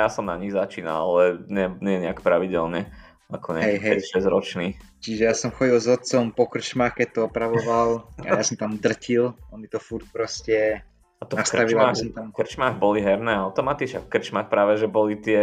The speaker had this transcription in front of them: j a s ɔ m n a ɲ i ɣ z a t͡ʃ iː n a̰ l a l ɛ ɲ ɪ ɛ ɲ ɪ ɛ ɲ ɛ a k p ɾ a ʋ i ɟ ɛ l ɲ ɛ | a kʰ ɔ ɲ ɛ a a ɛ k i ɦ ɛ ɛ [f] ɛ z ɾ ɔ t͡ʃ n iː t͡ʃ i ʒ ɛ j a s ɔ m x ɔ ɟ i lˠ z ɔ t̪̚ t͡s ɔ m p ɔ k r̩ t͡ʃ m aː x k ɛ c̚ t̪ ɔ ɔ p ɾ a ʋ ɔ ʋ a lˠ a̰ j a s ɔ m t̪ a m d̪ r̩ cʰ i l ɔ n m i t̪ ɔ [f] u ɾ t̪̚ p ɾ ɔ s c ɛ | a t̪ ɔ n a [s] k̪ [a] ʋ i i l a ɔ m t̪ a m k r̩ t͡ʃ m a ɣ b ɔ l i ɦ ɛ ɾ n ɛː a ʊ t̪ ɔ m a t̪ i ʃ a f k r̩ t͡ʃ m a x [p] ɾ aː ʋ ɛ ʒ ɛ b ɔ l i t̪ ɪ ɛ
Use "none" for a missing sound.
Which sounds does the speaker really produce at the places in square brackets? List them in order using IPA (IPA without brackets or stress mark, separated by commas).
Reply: ʃ, f, s, a, p